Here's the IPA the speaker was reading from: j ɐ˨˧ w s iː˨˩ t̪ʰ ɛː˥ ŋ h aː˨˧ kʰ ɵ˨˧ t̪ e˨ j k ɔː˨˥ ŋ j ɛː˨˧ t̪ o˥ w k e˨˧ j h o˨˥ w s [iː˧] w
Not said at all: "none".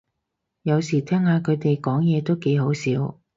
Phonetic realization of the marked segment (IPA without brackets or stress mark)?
iː˨˥